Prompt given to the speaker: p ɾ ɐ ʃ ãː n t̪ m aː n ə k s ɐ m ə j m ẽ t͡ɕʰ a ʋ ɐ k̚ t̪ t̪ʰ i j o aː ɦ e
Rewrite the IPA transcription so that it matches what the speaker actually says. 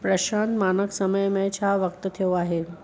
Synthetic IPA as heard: p ɾ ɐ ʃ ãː n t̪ m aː n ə k s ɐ m ə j m ẽ t͡ɕʰ a ʋ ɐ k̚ t̪ t̪ʰ i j o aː ɦ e